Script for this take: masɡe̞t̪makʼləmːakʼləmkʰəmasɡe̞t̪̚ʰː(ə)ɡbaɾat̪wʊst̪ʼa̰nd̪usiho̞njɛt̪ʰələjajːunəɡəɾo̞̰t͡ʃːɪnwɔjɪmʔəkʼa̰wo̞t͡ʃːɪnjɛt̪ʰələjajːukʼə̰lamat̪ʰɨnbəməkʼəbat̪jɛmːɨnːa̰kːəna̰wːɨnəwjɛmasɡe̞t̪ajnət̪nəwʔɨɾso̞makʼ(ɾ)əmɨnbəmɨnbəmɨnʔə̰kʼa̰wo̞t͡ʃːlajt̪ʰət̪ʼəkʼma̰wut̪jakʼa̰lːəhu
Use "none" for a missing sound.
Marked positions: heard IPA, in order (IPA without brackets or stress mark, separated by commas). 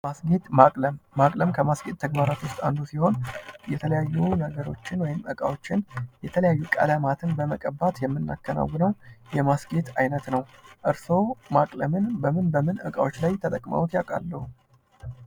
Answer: ə, l